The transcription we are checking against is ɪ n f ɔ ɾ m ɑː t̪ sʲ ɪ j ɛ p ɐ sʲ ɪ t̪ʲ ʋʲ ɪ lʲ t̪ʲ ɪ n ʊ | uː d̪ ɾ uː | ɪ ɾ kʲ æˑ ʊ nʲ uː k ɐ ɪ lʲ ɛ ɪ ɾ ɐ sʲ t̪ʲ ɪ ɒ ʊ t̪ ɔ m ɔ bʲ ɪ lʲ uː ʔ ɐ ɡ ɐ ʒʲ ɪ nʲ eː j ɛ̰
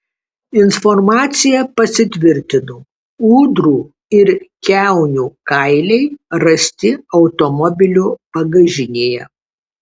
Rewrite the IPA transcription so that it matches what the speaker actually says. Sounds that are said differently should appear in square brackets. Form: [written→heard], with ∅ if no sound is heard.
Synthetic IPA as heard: ɪ n f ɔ ɾ m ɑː t̪ sʲ ɪ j ɛ p ɐ sʲ ɪ t̪ʲ ʋʲ ɪ [lʲ→ɾʲ] t̪ʲ ɪ n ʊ | uː d̪ ɾ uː | ɪ ɾ kʲ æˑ ʊ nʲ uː k ɐ ɪ lʲ ɛ ɪ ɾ ɐ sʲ t̪ʲ ɪ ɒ ʊ t̪ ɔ m ɔ bʲ ɪ lʲ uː [ʔ→p] ɐ ɡ ɐ ʒʲ ɪ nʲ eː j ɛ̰

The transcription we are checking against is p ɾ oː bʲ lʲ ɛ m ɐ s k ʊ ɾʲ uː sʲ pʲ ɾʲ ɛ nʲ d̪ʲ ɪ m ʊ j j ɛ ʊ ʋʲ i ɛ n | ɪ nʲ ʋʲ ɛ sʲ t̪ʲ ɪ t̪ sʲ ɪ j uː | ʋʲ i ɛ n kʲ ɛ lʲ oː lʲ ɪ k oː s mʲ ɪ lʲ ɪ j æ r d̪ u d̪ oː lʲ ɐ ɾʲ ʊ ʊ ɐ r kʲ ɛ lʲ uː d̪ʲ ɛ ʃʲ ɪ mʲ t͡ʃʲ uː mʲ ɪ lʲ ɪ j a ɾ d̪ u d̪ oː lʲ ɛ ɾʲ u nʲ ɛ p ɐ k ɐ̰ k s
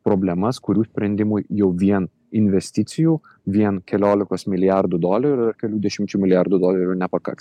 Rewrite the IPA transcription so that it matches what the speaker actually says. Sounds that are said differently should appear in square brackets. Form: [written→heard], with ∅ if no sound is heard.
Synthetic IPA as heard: p ɾ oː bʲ lʲ ɛ m ɐ s k ʊ ɾʲ uː sʲ pʲ ɾʲ ɛ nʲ d̪ʲ ɪ m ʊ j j ɛ ʊ ʋʲ i ɛ n | ɪ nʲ ʋʲ ɛ sʲ t̪ʲ ɪ t̪ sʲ ɪ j uː | ʋʲ i ɛ n kʲ ɛ lʲ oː lʲ ɪ k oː s mʲ ɪ lʲ ɪ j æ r d̪ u d̪ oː lʲ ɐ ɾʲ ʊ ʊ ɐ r kʲ ɛ lʲ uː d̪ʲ ɛ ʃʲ ɪ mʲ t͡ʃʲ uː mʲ ɪ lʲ ɪ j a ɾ d̪ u d̪ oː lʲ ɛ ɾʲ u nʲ ɛ p ɐ k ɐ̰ k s

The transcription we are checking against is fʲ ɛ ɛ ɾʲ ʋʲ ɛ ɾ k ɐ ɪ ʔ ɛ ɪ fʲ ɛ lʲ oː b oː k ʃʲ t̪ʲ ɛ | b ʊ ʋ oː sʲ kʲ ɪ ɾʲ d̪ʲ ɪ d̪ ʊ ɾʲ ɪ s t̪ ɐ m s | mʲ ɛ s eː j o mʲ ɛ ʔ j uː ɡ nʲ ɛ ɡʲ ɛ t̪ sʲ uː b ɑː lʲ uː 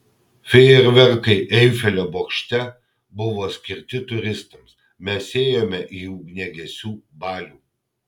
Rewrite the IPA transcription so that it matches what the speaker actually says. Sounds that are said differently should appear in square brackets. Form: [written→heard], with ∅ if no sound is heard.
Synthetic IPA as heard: fʲ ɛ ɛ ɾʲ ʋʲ ɛ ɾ k ɐ ɪ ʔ ɛ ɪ fʲ ɛ lʲ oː b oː k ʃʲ t̪ʲ ɛ | b ʊ ʋ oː sʲ kʲ ɪ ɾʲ [d̪ʲ→t̪ʲ] ɪ [d̪→t̪] ʊ ɾʲ ɪ s t̪ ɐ m s | mʲ ɛ s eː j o mʲ ɛ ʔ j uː ɡ nʲ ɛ ɡʲ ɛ [t̪→∅] sʲ uː b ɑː lʲ uː

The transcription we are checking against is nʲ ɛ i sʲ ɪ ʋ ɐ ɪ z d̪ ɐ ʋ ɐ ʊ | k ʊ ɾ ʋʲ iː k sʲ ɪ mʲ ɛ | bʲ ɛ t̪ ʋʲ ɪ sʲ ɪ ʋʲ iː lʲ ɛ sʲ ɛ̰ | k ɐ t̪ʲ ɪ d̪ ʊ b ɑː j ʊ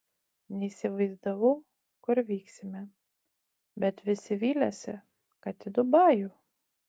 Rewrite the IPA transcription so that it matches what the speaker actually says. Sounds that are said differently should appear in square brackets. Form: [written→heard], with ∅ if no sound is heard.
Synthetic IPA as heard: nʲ ɛ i sʲ ɪ ʋ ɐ ɪ z d̪ ɐ ʋ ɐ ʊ | k ʊ ɾ ʋʲ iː k sʲ ɪ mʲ ɛ | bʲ ɛ t̪ ʋʲ ɪ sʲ ɪ ʋʲ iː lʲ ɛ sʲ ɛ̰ | k ɐ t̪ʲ ɪ d̪ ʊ b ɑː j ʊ

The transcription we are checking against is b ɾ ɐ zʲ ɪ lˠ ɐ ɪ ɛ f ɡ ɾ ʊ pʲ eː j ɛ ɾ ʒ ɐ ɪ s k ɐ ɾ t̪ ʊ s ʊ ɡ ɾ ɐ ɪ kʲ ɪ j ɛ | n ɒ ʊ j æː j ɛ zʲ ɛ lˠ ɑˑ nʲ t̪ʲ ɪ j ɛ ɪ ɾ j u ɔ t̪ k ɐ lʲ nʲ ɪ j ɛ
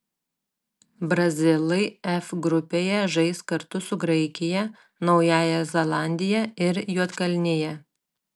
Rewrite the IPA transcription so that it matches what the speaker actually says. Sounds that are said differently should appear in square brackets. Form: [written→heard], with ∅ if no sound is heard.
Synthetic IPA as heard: b ɾ ɐ zʲ ɪ lˠ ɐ ɪ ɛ f ɡ ɾ ʊ pʲ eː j ɛ [ɾ→∅] ʒ ɐ ɪ s k ɐ ɾ t̪ ʊ s ʊ ɡ ɾ ɐ ɪ kʲ ɪ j ɛ | n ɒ ʊ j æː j ɛ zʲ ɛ lˠ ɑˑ nʲ [t̪ʲ→d̪ʲ] ɪ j ɛ ɪ ɾ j u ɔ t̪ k ɐ lʲ nʲ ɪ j ɛ

